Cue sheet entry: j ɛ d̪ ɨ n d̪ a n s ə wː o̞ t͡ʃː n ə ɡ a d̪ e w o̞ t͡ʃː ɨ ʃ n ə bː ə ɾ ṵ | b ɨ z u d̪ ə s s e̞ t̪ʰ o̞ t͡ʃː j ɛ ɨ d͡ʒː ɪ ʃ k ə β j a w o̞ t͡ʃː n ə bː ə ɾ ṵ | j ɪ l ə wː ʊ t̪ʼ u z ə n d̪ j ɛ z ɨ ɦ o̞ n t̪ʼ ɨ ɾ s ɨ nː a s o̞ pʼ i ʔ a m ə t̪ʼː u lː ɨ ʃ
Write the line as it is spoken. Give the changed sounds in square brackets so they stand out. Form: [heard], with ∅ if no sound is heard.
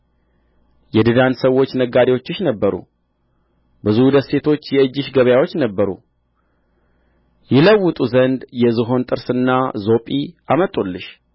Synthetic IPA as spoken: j ɛ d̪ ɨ [∅] d̪ a n s ə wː o̞ t͡ʃː n ə ɡ a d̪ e w o̞ t͡ʃː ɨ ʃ n ə bː ə ɾ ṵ | b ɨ z u d̪ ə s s e̞ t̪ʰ o̞ t͡ʃː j ɛ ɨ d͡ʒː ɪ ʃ [ɡ] ə β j a w o̞ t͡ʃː n ə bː ə ɾ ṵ | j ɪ l ə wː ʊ t̪ʼ u z ə n d̪ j ɛ z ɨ ɦ o̞ n t̪ʼ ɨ ɾ s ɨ nː a [z] o̞ pʼ i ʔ a m ə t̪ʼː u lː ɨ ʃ